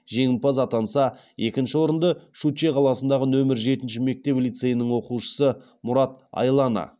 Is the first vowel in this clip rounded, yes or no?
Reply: no